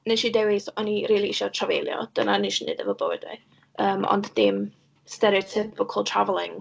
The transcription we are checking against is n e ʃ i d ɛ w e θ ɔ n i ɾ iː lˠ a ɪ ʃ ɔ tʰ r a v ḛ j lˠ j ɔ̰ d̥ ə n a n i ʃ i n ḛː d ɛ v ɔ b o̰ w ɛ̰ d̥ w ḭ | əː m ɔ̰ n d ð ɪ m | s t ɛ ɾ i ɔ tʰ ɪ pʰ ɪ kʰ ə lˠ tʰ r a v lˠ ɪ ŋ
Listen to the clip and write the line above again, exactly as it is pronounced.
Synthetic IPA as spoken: n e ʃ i d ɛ w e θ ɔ n i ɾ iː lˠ i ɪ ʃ ɔ tʰ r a v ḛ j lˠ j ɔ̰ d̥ ə n a n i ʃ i n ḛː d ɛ v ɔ b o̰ w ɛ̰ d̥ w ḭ | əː m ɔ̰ n d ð ɪ m | s t ɛ ɾ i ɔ tʰ ɪ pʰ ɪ kʰ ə lˠ tʰ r a v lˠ ɪ ŋ